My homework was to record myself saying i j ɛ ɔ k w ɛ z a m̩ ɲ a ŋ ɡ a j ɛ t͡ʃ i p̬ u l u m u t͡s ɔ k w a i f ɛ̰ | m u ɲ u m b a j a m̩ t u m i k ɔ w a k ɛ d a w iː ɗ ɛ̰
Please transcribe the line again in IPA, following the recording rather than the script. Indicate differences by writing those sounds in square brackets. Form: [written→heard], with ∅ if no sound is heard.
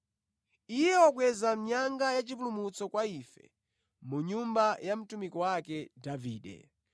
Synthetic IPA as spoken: i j ɛ ɔ k w ɛ z a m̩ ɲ a ŋ ɡ a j [ɛ→a] t͡ʃ i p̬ u l u m u t͡s ɔ k w a i f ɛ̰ | m u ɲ u m b a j a m̩ t u m i k ɔ w a k ɛ d a [w→v] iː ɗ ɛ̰